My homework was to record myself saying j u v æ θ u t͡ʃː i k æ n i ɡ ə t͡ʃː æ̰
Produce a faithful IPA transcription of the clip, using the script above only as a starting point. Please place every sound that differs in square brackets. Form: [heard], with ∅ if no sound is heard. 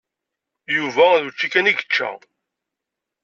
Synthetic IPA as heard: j u v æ [ð] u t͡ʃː i k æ n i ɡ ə t͡ʃː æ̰

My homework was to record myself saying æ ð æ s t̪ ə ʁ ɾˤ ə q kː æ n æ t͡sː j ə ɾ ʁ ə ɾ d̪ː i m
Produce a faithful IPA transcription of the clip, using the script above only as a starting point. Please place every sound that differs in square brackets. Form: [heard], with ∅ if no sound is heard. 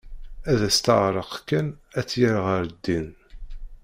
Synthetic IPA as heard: æ ð æ s t̪ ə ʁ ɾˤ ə q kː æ n æ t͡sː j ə ɾ ʁ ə ɾ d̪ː i [n]

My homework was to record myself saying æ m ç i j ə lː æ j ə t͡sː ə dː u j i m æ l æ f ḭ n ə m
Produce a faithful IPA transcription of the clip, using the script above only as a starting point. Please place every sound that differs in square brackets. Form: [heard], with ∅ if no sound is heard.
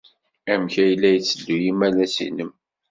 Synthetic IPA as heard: æ m ç [æ] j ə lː æ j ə t͡sː ə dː u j i m æ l æ [s] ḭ n ə m

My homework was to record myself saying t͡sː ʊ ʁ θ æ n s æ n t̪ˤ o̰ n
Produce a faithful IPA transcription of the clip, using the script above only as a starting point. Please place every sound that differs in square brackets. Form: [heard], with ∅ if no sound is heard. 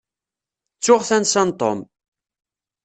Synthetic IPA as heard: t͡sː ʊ ʁ θ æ n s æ n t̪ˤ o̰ [m]

